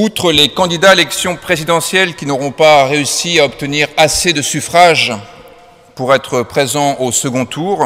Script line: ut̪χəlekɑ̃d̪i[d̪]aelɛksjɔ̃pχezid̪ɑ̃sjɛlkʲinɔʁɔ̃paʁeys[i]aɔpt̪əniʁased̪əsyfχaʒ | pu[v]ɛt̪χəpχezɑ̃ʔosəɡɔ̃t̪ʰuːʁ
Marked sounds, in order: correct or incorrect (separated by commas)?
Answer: correct, correct, incorrect